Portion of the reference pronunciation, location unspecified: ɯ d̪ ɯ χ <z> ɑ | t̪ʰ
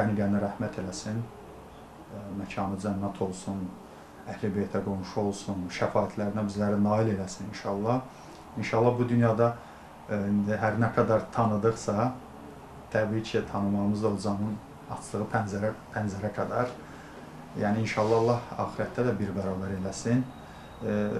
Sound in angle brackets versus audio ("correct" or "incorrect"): incorrect